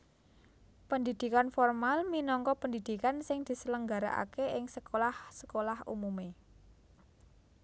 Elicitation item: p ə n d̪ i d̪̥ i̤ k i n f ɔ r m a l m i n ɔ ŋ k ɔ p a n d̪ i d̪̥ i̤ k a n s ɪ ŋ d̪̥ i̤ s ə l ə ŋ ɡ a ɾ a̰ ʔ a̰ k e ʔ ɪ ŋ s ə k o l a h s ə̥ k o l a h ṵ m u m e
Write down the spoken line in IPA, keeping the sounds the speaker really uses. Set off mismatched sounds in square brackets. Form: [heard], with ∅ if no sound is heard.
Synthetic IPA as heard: p ə n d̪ i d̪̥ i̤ k [a] n f ɔ r m a l m i n ɔ ŋ k ɔ p [ə] n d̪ i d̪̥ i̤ k a n s ɪ ŋ d̪̥ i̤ s ə l ə ŋ ɡ a ɾ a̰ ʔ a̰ k e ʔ ɪ ŋ s ə k o l a h s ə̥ k o l a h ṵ m u m e